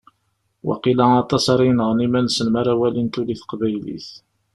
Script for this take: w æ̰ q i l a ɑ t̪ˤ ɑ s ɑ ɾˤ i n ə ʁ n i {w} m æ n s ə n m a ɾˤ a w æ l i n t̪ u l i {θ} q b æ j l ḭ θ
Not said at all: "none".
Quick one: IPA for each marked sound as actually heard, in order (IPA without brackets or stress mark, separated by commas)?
none, θ